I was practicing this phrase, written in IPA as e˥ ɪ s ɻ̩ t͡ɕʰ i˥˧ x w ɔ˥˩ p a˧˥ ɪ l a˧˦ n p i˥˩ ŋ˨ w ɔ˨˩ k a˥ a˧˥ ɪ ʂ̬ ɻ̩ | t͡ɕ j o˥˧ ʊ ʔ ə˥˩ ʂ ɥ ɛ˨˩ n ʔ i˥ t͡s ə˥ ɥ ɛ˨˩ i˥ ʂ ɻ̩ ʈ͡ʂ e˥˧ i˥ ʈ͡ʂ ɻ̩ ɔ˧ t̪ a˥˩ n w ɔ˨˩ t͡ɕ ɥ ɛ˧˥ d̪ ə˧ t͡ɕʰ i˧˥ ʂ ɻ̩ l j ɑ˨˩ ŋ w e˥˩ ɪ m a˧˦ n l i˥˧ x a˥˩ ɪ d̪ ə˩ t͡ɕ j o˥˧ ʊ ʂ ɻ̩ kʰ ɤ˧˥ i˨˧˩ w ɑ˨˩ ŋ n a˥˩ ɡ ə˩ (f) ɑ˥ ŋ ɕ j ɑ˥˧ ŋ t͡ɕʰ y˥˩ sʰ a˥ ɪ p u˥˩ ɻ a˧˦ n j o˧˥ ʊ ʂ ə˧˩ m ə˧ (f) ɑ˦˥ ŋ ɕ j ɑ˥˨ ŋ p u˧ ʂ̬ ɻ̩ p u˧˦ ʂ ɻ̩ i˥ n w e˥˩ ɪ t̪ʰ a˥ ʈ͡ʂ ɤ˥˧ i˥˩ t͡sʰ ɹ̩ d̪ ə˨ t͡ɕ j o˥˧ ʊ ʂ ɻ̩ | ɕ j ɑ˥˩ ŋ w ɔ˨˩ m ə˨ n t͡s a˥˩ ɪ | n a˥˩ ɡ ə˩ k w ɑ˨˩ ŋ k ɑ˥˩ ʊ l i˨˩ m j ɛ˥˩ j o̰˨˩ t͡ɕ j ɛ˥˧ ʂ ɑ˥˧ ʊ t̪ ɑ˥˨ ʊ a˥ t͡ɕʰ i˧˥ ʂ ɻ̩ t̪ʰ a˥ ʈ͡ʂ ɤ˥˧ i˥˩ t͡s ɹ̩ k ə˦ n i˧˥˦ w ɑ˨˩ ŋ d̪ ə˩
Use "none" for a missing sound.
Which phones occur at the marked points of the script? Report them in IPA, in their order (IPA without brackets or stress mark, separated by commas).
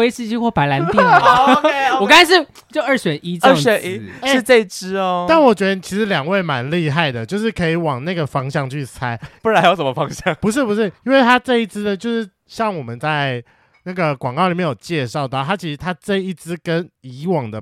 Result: f, f